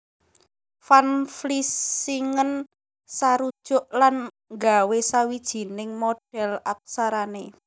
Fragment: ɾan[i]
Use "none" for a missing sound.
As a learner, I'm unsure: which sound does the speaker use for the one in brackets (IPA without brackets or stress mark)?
e